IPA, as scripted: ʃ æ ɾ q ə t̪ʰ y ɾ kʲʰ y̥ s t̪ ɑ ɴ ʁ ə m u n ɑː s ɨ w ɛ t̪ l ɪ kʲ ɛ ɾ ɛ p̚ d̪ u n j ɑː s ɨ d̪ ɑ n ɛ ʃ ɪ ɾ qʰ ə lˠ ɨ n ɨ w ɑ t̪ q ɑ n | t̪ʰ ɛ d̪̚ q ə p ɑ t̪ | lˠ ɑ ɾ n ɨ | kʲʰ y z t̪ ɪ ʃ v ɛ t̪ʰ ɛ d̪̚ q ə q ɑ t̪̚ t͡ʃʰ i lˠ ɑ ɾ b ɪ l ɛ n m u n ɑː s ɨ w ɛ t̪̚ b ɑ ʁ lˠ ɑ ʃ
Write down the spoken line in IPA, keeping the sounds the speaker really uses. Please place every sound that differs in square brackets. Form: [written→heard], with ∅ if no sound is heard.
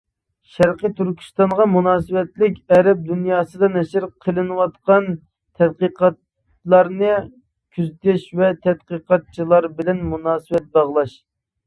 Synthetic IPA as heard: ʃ æ ɾ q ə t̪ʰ y ɾ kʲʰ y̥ s t̪ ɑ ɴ ʁ [ə→ɑ] m u n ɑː s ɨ w ɛ t̪ l ɪ kʲ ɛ ɾ ɛ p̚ d̪ u n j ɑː s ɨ d̪ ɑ n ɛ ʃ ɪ ɾ qʰ ə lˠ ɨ n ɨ w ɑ t̪ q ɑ n | t̪ʰ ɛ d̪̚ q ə [p→q] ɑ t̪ | lˠ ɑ ɾ n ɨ | kʲʰ y z t̪ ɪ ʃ v ɛ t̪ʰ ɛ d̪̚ q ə q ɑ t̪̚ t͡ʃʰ i lˠ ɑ ɾ b ɪ l ɛ n m u n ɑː s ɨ w ɛ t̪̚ b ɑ ʁ lˠ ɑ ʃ